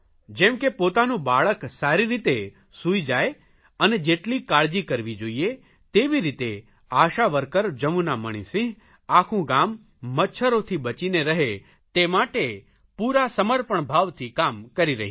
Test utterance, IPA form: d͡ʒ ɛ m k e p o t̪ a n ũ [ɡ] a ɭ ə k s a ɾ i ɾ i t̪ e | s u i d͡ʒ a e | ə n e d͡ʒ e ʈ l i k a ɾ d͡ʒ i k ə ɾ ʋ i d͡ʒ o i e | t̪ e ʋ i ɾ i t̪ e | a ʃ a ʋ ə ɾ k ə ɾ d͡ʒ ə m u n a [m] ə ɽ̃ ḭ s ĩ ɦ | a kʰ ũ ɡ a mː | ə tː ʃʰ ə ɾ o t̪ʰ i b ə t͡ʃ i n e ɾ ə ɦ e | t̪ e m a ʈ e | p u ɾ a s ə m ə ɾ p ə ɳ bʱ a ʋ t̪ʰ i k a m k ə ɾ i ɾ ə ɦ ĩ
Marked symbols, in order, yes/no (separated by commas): no, yes